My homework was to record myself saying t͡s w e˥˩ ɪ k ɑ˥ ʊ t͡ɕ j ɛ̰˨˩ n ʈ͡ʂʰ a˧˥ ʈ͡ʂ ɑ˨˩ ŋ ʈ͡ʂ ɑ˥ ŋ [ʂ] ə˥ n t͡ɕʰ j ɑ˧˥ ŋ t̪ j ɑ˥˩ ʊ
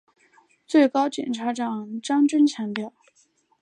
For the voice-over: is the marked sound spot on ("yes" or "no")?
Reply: no